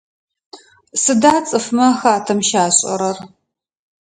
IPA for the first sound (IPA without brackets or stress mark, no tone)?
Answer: s